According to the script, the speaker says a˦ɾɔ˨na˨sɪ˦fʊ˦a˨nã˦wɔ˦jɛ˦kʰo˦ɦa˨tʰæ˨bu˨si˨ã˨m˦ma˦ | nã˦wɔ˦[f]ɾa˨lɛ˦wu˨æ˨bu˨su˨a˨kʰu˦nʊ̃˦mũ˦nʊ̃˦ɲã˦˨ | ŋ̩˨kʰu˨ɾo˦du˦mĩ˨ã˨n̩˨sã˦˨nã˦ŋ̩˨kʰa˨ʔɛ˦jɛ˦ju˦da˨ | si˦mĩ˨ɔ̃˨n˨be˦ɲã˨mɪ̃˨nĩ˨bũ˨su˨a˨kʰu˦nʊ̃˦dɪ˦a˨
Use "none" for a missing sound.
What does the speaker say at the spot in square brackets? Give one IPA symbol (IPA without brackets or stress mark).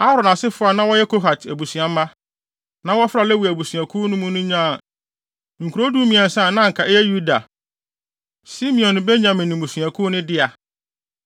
f